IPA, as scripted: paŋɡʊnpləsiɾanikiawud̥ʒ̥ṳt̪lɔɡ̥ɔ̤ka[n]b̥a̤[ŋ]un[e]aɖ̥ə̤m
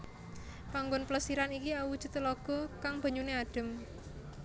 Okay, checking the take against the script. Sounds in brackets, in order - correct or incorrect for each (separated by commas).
incorrect, incorrect, correct